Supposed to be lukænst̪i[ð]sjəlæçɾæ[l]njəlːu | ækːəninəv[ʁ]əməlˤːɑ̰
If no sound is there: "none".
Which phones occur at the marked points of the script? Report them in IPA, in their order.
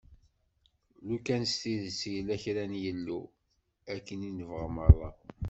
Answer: ð, none, ʁ

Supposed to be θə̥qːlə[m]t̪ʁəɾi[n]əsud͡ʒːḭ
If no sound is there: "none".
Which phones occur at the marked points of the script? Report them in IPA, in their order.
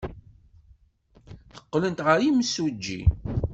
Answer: n, m

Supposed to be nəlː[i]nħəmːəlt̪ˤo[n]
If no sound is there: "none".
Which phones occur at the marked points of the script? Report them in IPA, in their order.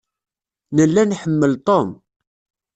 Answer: æ, m

